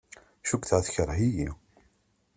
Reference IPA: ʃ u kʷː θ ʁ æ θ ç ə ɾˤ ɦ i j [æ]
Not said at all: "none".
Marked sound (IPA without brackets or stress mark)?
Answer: i